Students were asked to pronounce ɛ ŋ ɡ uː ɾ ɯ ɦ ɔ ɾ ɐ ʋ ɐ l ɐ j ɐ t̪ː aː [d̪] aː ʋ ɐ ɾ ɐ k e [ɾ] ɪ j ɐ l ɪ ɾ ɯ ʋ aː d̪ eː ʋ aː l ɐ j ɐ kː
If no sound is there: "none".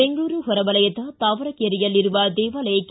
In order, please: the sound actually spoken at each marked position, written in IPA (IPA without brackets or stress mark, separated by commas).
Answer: t̪, ɾ